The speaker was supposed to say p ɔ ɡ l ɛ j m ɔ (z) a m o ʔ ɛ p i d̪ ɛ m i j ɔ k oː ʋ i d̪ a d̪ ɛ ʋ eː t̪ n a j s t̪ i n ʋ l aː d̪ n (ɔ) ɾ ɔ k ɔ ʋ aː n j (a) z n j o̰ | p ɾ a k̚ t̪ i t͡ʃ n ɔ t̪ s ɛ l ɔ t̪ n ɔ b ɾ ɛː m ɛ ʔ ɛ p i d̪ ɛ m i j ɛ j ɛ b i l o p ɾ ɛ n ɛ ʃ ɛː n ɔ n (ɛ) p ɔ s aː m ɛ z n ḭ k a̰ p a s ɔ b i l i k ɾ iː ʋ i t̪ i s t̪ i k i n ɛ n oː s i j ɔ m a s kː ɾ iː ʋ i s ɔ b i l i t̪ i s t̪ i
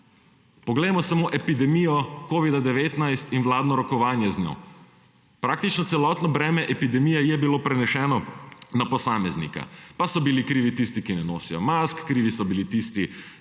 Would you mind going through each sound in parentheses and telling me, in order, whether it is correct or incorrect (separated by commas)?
incorrect, correct, incorrect, incorrect